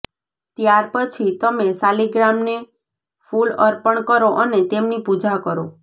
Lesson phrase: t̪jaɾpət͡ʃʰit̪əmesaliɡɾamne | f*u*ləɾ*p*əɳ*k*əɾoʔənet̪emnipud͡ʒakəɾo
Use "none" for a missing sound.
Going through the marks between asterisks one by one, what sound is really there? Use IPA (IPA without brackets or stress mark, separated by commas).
u, p, k